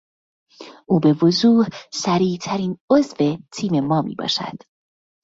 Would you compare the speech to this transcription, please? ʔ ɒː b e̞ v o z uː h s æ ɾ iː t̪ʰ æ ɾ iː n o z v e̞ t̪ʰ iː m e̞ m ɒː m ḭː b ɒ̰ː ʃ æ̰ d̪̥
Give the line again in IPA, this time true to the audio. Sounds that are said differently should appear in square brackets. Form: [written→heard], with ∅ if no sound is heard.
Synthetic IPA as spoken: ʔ [ɒː→uː] b e̞ v o z uː h s æ ɾ iː t̪ʰ æ ɾ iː n o z v e̞ t̪ʰ iː m e̞ m ɒː m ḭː b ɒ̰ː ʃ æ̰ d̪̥